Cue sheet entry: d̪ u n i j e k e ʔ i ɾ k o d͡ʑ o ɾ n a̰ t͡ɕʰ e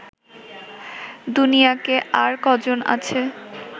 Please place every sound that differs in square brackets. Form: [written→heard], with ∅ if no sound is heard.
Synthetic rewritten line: d̪ u n i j [e→a] k e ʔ [i→a] ɾ k [o→ɔ] d͡ʑ o [ɾ→∅] n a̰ t͡ɕʰ e